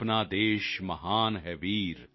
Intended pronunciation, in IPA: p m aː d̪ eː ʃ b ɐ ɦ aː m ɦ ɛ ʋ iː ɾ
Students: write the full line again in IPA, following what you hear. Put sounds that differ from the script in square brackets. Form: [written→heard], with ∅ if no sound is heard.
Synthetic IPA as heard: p [m→n] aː d̪ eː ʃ [b→m] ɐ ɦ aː [m→n] ɦ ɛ ʋ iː ɾ